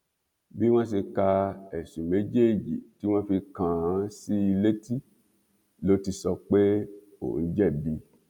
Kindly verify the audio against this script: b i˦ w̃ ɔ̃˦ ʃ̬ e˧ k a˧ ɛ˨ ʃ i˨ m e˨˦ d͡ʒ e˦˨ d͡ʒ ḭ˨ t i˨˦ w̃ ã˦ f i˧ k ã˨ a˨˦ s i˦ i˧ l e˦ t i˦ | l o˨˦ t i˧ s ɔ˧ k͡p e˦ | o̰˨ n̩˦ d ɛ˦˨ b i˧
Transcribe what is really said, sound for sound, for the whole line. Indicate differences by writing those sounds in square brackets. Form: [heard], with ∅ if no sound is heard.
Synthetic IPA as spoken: b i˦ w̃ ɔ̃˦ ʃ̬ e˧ k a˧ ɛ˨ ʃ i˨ m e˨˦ d͡ʒ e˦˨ d͡ʒ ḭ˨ t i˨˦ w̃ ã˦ f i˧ k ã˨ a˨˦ s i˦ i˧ l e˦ t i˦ | l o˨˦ t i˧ s ɔ˧ k͡p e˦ | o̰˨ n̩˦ [d͡ʒ] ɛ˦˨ b i˧

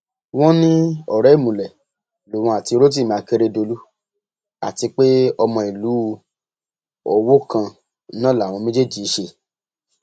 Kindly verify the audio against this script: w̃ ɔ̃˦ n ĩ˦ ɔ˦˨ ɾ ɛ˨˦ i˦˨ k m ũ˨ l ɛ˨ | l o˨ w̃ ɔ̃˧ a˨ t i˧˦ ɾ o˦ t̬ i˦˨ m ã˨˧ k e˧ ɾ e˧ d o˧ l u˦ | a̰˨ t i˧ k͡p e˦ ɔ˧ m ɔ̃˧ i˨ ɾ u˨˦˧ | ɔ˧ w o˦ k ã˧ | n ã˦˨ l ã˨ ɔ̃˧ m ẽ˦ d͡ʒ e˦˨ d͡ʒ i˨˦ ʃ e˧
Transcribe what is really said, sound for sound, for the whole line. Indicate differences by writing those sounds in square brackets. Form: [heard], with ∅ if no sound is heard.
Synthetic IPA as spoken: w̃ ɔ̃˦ n ĩ˦ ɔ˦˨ ɾ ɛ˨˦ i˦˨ [∅] m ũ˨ l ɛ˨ | l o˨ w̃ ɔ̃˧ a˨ t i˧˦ ɾ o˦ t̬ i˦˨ m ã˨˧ k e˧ ɾ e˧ d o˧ l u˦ | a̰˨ t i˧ k͡p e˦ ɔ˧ m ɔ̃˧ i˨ [l] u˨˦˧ | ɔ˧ w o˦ k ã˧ | n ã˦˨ l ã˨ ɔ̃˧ m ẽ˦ d͡ʒ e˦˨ d͡ʒ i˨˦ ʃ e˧

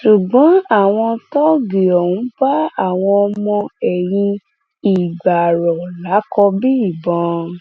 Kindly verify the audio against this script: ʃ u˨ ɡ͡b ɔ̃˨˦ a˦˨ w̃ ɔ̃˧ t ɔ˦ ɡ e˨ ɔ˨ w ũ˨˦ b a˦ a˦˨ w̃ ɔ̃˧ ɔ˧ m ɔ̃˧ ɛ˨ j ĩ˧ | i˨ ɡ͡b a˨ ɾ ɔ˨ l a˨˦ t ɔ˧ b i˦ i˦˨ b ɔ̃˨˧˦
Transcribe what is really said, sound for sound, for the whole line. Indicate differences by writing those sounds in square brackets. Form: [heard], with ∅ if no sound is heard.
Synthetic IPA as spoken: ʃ u˨ ɡ͡b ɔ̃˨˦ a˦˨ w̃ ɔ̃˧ t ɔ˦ ɡ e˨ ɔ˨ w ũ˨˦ b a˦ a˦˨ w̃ ɔ̃˧ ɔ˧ m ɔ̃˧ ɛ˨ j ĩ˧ | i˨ ɡ͡b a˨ ɾ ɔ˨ l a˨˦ [k] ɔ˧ b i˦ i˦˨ b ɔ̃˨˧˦

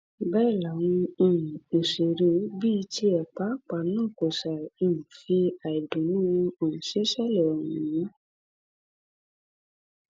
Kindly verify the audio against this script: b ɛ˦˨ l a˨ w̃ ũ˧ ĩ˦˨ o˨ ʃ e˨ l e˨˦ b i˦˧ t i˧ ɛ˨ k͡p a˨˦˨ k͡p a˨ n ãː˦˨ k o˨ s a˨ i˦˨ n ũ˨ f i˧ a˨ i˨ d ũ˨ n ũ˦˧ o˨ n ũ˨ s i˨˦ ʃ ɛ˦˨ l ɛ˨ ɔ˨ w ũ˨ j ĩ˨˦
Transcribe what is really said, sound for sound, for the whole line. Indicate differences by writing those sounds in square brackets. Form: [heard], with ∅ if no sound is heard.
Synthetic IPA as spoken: b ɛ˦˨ l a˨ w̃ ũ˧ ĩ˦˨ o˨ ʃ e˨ [ɾ] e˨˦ b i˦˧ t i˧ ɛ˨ k͡p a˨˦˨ k͡p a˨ n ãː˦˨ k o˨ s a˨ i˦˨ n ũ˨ f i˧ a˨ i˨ d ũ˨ n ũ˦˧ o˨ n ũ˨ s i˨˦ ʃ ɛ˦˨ l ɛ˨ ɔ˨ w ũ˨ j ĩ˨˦

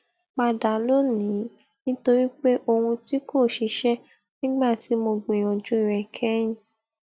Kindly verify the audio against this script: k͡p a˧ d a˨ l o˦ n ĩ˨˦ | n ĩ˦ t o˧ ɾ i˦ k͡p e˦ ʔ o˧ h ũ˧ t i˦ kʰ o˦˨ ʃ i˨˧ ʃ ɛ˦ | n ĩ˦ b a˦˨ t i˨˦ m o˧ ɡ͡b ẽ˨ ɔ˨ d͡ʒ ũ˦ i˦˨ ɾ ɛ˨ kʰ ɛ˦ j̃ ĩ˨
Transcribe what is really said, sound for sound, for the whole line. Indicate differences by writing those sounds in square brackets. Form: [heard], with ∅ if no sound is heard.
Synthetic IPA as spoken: k͡p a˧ d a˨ l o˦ n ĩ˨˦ | n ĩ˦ t o˧ ɾ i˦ k͡p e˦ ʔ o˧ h ũ˧ t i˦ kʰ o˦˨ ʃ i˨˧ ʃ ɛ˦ | n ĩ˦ [ɡ͡b] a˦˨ t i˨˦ m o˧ ɡ͡b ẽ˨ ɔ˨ d͡ʒ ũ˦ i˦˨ ɾ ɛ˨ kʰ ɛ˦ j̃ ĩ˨

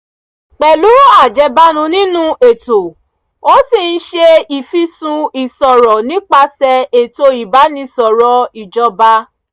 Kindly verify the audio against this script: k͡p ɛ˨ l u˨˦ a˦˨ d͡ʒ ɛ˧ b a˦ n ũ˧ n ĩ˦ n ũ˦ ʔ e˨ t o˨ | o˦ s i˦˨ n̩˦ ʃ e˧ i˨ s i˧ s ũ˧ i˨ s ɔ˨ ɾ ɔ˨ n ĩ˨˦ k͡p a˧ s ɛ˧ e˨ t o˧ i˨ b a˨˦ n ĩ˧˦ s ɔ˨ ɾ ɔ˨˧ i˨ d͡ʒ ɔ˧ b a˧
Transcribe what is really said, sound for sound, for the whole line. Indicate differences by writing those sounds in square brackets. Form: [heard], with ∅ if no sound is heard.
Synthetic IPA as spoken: k͡p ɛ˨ l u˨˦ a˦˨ d͡ʒ ɛ˧ b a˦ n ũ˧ n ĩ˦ n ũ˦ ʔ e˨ t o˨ | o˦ s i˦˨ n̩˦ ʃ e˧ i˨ [f] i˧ s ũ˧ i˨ s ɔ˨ ɾ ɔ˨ n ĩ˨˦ k͡p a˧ s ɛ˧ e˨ t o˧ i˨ b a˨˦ n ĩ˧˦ s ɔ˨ ɾ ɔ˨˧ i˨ d͡ʒ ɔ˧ b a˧

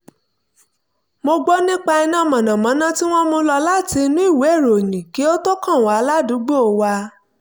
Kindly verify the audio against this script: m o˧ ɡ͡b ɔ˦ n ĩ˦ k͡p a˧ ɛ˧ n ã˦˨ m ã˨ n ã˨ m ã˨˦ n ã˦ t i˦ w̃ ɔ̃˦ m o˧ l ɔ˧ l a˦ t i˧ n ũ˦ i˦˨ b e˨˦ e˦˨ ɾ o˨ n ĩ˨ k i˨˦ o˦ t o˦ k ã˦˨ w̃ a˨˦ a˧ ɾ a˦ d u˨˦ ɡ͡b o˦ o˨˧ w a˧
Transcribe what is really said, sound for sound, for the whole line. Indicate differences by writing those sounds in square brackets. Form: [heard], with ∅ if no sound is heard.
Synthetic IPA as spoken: m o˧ ɡ͡b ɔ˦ n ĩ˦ k͡p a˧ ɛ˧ n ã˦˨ m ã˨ n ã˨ m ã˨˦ n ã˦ t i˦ w̃ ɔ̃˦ m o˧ l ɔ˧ l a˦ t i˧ n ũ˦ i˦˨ [w] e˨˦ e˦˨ ɾ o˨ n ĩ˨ k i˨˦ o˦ t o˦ k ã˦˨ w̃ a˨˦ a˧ [l] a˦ d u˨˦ ɡ͡b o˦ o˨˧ w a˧

